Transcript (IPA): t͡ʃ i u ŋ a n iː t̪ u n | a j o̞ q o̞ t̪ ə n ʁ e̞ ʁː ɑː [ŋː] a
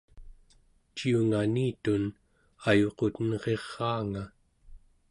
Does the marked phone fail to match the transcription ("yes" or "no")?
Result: yes